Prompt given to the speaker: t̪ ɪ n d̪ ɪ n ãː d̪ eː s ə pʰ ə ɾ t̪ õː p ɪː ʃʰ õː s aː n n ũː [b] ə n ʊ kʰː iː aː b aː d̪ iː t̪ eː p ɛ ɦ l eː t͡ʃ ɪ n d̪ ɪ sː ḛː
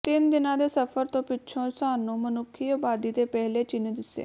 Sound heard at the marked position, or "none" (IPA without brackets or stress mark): m